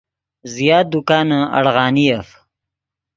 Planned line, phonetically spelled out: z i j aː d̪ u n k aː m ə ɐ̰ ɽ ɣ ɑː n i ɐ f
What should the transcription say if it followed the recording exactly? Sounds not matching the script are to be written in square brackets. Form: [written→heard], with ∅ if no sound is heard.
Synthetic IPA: z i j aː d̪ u [n→∅] k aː [m→n] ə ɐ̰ ɽ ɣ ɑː n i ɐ f